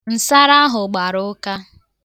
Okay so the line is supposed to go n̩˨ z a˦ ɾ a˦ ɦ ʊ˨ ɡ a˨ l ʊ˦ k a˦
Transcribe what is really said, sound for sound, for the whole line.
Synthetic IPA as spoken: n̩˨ s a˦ ɾ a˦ ɦ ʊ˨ ɡ͡b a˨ ɾ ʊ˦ k a˦